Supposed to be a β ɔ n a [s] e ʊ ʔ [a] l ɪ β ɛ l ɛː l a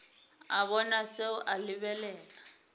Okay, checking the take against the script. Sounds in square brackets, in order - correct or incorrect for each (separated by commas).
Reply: correct, correct